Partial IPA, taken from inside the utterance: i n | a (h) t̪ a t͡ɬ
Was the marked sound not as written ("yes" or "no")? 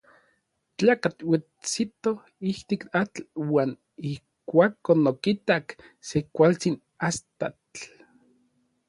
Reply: yes